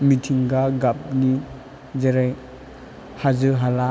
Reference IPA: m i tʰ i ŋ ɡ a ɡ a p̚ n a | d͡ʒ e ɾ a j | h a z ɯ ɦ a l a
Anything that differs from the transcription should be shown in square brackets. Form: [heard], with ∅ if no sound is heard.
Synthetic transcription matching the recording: m i tʰ i ŋ ɡ a ɡ a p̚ n [i] | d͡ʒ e ɾ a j | h a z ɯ ɦ a l a